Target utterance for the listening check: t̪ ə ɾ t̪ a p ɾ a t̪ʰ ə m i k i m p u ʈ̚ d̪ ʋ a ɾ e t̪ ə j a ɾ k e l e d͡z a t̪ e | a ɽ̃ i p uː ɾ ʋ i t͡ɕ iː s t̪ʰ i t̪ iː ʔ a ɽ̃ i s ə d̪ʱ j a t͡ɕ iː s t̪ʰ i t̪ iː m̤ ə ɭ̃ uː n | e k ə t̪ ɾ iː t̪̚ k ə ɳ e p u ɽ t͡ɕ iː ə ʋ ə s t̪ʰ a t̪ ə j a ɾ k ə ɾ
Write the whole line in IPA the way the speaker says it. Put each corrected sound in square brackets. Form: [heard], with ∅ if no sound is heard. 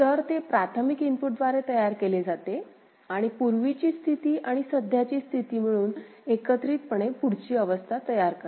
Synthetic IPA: t̪ ə ɾ t̪ [e] p ɾ a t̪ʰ ə m i k i m p u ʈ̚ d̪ ʋ a ɾ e t̪ ə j a ɾ k e l e d͡z a t̪ e | a ɽ̃ i p [u] ɾ ʋ i t͡ɕ iː s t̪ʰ i t̪ iː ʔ a ɽ̃ i s ə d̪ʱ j a t͡ɕ iː s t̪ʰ i t̪ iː m̤ ə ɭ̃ uː n | e k ə t̪ ɾ iː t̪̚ [p] ə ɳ e p u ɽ t͡ɕ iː ə ʋ ə s t̪ʰ a t̪ ə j a ɾ k ə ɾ